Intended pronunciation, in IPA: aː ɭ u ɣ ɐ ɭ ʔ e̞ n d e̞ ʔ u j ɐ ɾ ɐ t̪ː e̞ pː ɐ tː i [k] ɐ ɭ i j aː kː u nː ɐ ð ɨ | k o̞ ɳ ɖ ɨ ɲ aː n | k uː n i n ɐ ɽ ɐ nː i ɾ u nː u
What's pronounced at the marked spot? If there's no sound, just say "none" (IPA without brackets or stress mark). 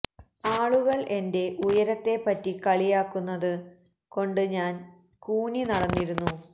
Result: k